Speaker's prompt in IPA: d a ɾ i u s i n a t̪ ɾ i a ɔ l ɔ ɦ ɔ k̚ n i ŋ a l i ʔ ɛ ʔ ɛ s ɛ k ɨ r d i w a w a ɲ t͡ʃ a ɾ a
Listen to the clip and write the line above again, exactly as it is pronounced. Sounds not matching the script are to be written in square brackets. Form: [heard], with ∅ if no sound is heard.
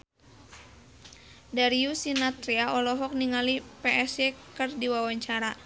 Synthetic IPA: d a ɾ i u s i n a t̪ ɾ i a ɔ l ɔ ɦ ɔ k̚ n i ŋ a l i [p] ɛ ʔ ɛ s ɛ k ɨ r d i w a w a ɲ t͡ʃ a ɾ a